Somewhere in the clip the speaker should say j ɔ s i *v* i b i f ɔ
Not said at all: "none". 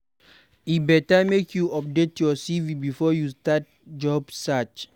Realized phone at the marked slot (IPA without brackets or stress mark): v